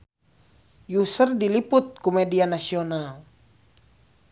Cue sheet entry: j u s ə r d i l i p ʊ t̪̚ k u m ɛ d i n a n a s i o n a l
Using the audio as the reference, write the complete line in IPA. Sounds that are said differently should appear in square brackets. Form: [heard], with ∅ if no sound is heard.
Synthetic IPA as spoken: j u s ə r d i l i p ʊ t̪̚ k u m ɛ d i [∅] a n a s i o n a l